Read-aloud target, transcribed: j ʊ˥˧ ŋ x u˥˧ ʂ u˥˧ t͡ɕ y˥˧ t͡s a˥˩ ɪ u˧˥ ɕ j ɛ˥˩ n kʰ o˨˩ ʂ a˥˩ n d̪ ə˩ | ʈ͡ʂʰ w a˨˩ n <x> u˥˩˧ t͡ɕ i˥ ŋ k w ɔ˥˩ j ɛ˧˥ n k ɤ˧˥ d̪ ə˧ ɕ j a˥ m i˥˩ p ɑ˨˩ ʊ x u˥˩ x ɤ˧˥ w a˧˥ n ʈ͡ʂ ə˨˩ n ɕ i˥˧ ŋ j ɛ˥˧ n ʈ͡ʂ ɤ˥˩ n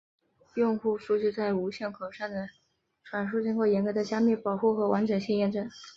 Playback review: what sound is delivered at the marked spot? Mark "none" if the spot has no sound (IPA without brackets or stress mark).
ʂ